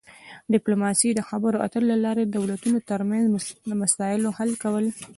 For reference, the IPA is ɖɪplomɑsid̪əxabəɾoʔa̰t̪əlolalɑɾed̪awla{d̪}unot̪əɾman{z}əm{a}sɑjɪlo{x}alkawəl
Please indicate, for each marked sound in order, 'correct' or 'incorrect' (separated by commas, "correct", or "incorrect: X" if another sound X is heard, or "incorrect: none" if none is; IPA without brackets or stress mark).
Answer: incorrect: t̪, correct, correct, incorrect: h